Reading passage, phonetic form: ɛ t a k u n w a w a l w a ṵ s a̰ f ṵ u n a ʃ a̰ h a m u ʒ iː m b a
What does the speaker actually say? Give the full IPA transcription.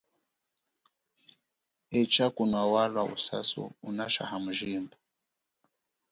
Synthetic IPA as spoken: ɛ t͡ʃ a k u n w a w a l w a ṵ s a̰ s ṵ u n a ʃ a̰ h a m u ʒ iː m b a